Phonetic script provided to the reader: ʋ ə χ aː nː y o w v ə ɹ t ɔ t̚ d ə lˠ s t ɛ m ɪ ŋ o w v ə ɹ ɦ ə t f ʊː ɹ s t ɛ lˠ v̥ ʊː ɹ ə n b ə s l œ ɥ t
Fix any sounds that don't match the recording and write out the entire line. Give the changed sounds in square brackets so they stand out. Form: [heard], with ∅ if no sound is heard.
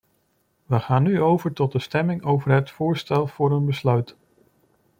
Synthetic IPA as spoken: ʋ ə χ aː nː y o w v ə ɹ t ɔ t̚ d ə [∅] s t ɛ m ɪ ŋ o w v ə ɹ ɦ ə t f ʊː ɹ s t ɛ lˠ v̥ ʊː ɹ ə n b ə s l œ ɥ t